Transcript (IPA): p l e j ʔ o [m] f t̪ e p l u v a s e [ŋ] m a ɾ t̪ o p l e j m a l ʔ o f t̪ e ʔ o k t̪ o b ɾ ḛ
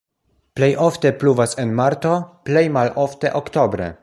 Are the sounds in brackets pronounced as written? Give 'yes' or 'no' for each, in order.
no, no

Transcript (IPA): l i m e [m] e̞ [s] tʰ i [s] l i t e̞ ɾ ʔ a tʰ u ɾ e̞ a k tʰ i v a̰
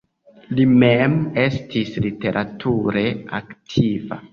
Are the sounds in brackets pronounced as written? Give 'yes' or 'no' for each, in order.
yes, yes, yes

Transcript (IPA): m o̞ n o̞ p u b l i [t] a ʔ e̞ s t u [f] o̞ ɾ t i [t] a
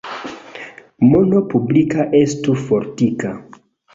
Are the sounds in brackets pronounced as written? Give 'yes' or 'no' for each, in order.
no, yes, no

